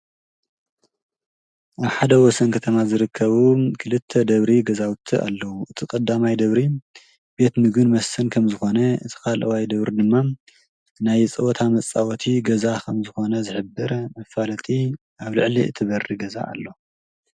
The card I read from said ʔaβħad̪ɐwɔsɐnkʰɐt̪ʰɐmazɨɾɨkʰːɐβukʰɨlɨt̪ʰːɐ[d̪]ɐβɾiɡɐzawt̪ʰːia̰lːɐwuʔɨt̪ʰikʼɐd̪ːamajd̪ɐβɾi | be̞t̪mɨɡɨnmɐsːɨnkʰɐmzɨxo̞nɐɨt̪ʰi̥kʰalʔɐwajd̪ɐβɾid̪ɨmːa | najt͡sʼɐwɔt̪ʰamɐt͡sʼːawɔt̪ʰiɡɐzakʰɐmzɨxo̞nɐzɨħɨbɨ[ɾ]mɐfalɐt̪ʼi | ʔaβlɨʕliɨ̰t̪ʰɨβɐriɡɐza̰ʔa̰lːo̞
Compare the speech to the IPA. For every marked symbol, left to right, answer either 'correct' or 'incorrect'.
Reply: correct, correct

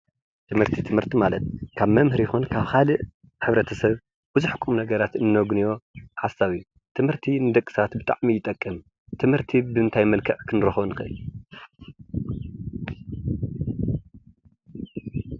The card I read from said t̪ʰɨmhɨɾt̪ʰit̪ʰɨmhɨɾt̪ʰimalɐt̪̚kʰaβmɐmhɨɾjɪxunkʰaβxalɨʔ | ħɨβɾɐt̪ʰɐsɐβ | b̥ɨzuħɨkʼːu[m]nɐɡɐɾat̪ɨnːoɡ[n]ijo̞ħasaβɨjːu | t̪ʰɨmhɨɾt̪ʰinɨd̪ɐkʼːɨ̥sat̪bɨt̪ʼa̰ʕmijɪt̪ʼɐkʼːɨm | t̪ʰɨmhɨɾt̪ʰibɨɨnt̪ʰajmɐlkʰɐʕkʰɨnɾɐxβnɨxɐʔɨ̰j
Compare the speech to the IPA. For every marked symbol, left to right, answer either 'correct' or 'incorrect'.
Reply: correct, correct

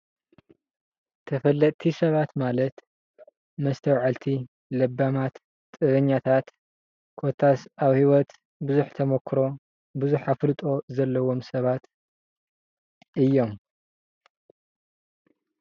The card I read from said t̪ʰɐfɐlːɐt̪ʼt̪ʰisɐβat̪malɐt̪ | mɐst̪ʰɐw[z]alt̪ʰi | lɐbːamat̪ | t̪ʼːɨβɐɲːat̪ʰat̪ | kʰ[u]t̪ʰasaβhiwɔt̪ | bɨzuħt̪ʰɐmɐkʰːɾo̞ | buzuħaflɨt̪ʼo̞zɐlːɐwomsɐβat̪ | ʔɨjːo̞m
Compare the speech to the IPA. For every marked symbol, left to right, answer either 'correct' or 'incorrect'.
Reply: incorrect: ʕ, incorrect: o

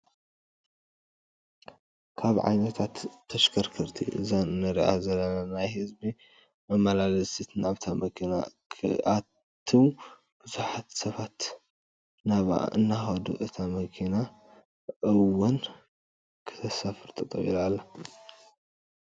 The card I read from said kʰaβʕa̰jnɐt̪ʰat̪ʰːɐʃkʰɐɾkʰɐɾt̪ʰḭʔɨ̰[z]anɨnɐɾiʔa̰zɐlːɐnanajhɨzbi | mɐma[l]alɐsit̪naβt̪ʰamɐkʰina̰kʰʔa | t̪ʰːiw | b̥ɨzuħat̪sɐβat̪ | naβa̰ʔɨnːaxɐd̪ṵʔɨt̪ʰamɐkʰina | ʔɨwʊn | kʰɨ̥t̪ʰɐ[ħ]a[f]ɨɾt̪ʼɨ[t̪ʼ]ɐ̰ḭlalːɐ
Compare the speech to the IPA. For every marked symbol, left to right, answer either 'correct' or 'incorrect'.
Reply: correct, correct, incorrect: s, correct, correct

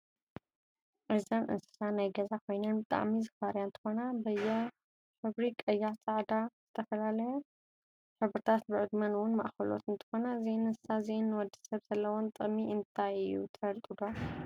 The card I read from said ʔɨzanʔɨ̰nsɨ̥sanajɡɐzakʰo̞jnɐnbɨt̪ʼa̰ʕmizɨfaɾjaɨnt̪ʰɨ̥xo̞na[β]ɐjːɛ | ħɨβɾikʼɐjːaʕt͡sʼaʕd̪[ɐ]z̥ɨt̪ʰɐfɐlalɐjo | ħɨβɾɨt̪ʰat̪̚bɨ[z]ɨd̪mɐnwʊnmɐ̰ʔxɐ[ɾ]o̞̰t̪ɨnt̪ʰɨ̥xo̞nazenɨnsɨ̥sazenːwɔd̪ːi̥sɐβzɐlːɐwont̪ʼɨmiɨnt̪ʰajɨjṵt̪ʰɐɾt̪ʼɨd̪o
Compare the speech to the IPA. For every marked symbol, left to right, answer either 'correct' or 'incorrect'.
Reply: incorrect: b, incorrect: a, incorrect: ʕ, incorrect: l

